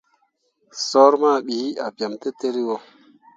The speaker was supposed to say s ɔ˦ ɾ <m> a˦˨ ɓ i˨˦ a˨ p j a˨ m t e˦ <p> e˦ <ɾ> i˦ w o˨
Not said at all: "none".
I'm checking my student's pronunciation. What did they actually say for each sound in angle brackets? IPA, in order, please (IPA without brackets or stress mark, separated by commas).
m, t, ɾ